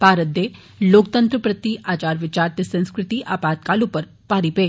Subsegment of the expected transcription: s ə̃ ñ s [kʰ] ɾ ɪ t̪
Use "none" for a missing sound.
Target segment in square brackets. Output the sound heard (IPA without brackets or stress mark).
k